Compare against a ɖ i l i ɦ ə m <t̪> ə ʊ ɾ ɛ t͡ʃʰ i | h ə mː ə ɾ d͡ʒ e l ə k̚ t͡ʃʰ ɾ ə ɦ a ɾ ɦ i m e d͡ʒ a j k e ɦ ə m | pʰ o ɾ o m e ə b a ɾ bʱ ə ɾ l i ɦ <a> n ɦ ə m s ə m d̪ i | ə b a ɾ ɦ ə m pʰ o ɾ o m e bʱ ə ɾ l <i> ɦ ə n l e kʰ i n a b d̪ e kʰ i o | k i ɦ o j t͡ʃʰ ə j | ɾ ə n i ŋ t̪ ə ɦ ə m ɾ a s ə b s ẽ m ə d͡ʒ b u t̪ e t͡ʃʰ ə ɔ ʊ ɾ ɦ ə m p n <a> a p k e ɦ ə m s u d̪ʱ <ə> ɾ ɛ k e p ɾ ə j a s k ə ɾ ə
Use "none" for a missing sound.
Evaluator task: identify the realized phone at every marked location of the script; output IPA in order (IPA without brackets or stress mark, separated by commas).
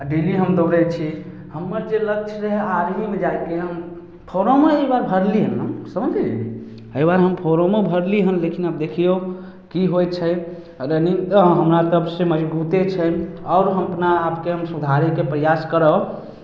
d̪, ə, i, a, a